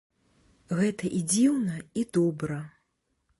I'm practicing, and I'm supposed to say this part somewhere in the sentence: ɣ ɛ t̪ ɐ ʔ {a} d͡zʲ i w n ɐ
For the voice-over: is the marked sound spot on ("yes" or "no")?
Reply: no